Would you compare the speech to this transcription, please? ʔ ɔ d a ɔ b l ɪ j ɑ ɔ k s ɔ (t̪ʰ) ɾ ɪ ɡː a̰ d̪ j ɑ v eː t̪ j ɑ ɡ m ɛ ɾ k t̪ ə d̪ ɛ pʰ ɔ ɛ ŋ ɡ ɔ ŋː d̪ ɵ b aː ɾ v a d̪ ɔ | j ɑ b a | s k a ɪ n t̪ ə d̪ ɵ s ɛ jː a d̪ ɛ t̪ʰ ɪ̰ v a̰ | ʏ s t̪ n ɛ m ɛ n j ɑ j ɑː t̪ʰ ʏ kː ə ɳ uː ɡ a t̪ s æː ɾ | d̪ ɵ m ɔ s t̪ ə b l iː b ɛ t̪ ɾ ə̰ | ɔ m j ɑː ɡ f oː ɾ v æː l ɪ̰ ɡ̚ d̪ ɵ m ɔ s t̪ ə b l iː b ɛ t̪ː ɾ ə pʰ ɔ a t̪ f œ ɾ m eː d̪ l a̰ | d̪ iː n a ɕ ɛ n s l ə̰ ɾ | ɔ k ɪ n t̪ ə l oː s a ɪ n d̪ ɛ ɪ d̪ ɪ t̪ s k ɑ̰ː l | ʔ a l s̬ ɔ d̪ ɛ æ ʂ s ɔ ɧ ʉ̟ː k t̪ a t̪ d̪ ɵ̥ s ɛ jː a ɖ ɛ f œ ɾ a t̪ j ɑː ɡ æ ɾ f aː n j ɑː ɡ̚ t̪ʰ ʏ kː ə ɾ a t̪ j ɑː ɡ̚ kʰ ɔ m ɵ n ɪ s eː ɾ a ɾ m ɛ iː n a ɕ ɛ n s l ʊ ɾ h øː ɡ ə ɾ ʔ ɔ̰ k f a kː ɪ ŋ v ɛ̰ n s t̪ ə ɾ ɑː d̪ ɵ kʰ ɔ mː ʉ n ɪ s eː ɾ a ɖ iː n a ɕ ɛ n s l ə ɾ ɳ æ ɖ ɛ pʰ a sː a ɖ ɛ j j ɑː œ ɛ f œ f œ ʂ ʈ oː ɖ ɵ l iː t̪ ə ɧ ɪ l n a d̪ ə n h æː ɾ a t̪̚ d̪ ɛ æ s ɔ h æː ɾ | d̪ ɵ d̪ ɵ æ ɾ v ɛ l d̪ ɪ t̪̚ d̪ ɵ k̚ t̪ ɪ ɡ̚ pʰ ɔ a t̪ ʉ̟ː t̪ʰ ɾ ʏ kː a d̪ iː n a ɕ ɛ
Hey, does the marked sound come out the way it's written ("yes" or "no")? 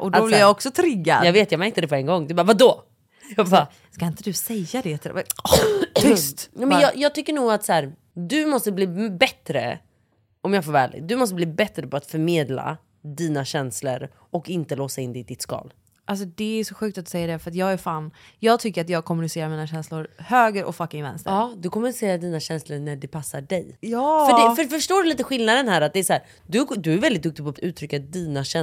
yes